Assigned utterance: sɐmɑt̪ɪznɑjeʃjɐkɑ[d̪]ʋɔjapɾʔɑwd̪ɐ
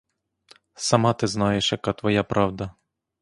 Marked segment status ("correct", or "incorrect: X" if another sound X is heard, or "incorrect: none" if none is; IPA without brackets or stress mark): incorrect: t̪